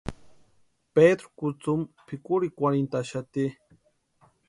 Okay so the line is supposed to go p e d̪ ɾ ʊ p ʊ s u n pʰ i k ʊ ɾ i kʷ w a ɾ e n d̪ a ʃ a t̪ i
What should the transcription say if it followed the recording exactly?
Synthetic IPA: p e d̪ ɾ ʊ k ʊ t͡s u m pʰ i k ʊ ɾ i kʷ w a ɾ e n t̪ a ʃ a t̪ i